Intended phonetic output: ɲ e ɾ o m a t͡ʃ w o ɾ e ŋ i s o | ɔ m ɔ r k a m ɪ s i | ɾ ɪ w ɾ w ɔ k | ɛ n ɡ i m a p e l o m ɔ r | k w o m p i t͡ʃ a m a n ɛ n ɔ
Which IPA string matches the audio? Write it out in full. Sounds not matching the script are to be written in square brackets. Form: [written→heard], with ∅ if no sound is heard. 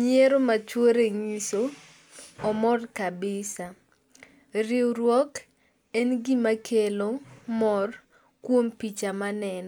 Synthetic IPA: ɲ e ɾ o m a t͡ʃ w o ɾ e ŋ i s o | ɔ m ɔ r k a [m→b] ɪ s [i→a] | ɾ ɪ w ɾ w ɔ k | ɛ n ɡ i m a [p→k] e l o m ɔ r | k w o m p i t͡ʃ a m a n ɛ n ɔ